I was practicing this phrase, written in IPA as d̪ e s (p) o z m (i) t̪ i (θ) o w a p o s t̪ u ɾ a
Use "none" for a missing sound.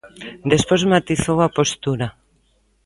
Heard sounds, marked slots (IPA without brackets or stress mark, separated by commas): p, a, θ